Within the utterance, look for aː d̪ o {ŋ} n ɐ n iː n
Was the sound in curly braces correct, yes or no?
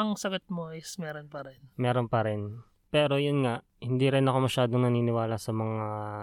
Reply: yes